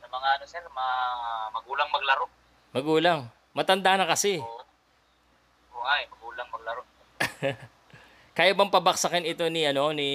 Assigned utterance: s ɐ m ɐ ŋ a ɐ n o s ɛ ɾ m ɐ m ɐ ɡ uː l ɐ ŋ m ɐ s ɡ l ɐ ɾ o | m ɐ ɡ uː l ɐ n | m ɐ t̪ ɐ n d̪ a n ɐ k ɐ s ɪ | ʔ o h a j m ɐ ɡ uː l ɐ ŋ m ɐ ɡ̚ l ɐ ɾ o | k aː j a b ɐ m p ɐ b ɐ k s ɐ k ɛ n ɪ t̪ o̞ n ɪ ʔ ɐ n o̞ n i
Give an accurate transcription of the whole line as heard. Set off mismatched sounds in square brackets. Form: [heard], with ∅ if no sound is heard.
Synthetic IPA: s ɐ m ɐ ŋ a ɐ n o s ɛ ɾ m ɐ m ɐ ɡ uː l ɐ ŋ m ɐ [∅] ɡ l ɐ ɾ o | m ɐ ɡ uː l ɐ [ŋ] | m ɐ t̪ ɐ n d̪ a n ɐ k ɐ s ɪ | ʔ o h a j m ɐ ɡ uː l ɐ ŋ m ɐ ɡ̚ l ɐ ɾ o | k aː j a b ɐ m p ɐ b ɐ k s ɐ k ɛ n ɪ t̪ o̞ n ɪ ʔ ɐ n o̞ n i